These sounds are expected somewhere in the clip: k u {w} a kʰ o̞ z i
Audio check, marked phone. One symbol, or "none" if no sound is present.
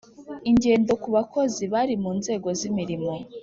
β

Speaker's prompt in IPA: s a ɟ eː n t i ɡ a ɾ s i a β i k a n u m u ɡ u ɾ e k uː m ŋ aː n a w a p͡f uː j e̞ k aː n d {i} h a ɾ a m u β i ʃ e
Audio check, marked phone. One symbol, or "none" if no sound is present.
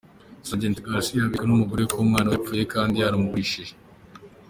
i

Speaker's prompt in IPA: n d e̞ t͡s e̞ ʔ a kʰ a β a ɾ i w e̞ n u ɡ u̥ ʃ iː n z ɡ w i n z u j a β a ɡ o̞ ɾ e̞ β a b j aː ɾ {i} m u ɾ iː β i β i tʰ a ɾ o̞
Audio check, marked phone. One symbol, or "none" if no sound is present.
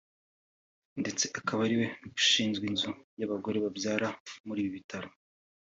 a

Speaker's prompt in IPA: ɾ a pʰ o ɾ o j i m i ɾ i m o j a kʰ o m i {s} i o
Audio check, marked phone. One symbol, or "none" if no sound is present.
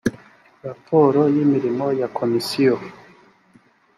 s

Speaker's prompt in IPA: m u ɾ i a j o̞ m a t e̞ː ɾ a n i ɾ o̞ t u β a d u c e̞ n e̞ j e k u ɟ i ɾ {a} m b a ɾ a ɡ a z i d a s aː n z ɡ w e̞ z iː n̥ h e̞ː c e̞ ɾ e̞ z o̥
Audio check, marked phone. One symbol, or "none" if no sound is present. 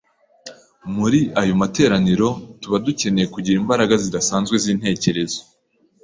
i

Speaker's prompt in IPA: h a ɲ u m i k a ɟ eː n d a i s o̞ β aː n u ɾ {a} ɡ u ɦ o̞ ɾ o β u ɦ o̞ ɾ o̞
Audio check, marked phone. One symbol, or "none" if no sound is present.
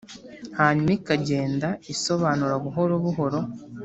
a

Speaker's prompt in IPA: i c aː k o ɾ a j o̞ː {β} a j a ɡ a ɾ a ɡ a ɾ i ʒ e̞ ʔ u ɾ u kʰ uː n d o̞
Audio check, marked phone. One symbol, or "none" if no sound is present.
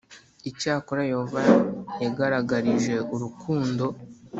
v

